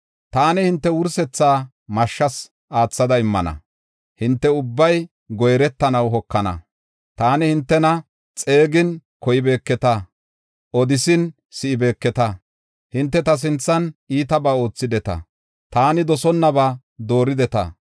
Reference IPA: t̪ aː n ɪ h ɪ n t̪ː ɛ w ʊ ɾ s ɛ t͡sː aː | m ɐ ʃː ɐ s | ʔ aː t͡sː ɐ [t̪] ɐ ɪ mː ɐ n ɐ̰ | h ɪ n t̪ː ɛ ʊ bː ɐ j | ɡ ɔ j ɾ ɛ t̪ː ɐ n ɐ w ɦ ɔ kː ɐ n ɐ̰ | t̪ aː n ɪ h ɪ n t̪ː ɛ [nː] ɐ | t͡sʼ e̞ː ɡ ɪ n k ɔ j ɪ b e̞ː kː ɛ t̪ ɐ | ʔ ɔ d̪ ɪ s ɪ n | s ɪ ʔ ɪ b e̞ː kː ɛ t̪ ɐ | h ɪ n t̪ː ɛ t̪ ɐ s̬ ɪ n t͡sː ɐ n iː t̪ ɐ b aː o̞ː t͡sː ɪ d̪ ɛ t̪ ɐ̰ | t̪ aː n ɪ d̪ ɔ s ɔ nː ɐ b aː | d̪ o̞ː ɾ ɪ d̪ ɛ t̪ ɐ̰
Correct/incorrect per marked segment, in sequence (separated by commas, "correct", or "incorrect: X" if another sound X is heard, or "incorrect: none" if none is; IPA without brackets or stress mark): incorrect: d̪, incorrect: n